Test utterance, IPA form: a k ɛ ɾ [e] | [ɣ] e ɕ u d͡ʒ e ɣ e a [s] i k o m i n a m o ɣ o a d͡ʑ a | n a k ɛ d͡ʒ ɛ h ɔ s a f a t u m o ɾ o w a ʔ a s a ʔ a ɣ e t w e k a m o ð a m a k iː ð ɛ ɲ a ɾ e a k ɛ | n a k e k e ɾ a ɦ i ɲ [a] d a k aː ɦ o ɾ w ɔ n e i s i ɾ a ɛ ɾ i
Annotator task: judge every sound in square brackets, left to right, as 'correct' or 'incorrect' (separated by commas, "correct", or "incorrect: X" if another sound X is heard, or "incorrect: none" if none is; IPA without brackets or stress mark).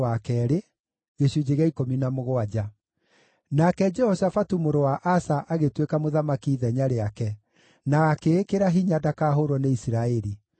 correct, correct, incorrect: none, correct